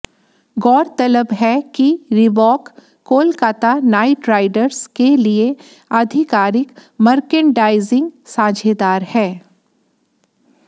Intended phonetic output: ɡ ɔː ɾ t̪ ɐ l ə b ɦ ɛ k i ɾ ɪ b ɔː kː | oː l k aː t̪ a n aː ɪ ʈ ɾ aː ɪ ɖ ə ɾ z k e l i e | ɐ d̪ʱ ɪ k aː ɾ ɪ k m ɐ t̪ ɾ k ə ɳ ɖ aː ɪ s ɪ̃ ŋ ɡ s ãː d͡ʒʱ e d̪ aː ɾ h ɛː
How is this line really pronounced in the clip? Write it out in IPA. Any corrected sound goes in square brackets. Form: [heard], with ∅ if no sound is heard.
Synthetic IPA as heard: ɡ ɔː ɾ t̪ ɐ l ə b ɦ ɛ k i ɾ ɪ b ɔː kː | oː l k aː t̪ a n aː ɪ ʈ ɾ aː ɪ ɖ ə ɾ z k e l i e | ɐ d̪ʱ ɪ k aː ɾ ɪ k m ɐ [∅] ɾ k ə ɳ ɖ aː ɪ [z] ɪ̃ ŋ ɡ s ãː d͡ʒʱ e d̪ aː ɾ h ɛː

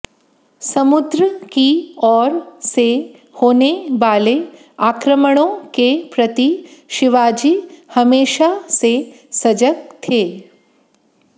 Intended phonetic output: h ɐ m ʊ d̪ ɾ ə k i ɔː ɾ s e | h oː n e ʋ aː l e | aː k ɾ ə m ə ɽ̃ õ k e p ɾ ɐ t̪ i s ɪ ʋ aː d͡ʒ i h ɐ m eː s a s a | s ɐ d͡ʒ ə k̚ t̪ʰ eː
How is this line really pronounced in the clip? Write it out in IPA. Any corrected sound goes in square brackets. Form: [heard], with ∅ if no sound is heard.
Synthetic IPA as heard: [s] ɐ m ʊ d̪ ɾ ə k i ɔː ɾ s e | h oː n e ʋ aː l e | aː k ɾ ə m ə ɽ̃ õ k e p ɾ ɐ t̪ i [ʃ] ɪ ʋ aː d͡ʒ i h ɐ m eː [ʃ] a s [e] | s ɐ d͡ʒ ə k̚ t̪ʰ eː

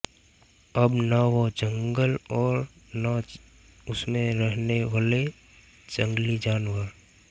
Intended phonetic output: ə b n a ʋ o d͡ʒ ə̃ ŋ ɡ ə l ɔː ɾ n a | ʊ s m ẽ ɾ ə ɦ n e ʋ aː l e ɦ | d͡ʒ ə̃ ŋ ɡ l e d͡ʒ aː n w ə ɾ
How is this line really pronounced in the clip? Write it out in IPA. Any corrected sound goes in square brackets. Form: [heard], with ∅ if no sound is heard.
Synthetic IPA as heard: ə b n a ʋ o d͡ʒ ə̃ ŋ ɡ ə l ɔː ɾ n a | ʊ s m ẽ ɾ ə ɦ n e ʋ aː l e [∅] | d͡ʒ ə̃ ŋ ɡ l [i] d͡ʒ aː n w ə ɾ

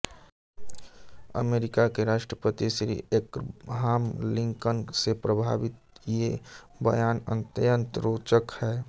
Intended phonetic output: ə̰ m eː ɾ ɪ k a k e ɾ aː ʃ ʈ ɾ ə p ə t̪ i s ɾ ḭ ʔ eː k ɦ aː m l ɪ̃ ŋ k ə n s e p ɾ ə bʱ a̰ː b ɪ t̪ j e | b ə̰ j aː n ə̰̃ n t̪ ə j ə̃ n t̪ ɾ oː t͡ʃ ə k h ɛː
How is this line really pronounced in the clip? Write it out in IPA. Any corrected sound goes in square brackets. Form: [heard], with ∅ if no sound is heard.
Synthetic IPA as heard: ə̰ m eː ɾ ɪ k a k e ɾ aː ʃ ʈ ɾ ə p ə t̪ i s ɾ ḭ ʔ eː k ɦ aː m l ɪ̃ ŋ k ə n s e p ɾ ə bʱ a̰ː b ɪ t̪ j e | b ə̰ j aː n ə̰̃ n t̪ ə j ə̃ n t̪ ɾ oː t͡ʃ ə k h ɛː

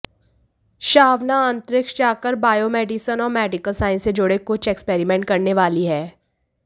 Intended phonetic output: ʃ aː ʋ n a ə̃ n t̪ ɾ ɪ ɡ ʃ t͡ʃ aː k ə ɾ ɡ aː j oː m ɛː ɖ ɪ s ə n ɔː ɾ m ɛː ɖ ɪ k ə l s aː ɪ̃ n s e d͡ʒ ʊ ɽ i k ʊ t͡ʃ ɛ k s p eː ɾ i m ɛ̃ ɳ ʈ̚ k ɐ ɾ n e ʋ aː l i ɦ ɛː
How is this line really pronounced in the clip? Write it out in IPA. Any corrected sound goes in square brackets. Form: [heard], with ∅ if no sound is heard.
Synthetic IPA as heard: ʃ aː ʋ n a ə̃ n t̪ ɾ ɪ [k] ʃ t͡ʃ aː k ə ɾ [b] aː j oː m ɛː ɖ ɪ s ə n ɔː ɾ m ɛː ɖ ɪ k ə l s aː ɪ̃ n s e d͡ʒ ʊ ɽ [e] k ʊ t͡ʃ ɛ k s p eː ɾ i m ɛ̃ ɳ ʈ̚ k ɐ ɾ n e ʋ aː l i ɦ ɛː

